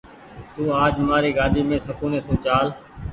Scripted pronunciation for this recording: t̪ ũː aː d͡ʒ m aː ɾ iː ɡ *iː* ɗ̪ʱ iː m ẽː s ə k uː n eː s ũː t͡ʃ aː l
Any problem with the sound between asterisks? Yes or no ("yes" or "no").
yes